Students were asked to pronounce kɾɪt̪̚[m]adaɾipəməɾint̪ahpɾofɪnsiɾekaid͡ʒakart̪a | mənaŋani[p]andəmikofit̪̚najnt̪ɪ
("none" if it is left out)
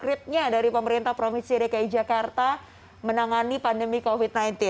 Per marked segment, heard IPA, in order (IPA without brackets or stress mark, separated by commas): ɲ, p